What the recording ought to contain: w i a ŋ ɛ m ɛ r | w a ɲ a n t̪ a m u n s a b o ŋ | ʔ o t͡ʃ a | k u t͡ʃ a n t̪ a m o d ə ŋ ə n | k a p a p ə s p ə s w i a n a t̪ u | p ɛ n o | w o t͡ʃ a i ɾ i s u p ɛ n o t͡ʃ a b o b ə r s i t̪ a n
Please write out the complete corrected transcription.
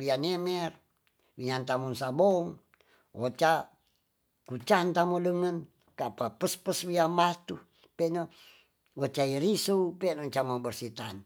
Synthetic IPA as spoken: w i a n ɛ m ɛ r | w i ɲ a n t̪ a m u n s a b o ŋ | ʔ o t͡ʃ a | k u t͡ʃ a n t̪ a m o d ə ŋ ə n | k a p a p ə s p ə s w i a m a t̪ u | p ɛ n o | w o t͡ʃ a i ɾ i s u p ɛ n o t͡ʃ a m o b ə r s i t̪ a n